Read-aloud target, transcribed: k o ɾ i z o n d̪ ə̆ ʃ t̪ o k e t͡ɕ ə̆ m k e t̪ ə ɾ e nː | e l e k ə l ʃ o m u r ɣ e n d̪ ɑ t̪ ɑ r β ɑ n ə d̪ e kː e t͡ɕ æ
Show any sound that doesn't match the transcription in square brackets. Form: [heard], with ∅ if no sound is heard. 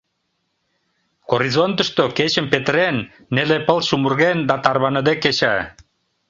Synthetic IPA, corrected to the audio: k o ɾ i z o n [t̪] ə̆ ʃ t̪ o k e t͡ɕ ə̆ m [p] e t̪ ə ɾ e nː | e l e [p] ə l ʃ [u] m u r ɣ e n d̪ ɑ t̪ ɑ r β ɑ n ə d̪ e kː e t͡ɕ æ